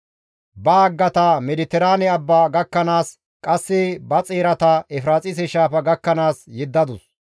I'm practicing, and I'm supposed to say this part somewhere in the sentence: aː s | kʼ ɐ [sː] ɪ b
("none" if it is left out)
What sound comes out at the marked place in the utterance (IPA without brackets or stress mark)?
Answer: sː